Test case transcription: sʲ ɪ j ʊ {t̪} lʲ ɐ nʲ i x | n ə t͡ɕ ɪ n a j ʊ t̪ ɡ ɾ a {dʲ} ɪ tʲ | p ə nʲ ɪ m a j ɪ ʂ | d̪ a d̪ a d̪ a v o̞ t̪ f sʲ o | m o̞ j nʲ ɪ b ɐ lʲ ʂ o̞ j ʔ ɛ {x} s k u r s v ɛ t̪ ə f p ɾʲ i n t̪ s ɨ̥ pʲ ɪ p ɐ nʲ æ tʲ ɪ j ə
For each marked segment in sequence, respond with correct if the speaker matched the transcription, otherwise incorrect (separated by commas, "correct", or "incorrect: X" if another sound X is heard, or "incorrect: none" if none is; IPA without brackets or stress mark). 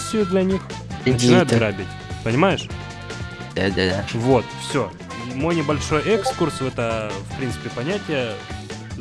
incorrect: d̪, incorrect: bʲ, incorrect: k